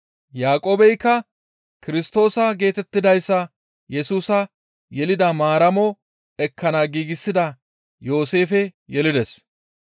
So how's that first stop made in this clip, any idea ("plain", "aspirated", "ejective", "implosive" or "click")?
ejective